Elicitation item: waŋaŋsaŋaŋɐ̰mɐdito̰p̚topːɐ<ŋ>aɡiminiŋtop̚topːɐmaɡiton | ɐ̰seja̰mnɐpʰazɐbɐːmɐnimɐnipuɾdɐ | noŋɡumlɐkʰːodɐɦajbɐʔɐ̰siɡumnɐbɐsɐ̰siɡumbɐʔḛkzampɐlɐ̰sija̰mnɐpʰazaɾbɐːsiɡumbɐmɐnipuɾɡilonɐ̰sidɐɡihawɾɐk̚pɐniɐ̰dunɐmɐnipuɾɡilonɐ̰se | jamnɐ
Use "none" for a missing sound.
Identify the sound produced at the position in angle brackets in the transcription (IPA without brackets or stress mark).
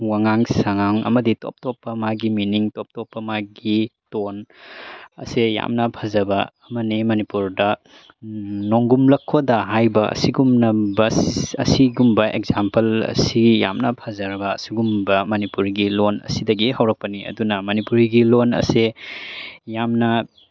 m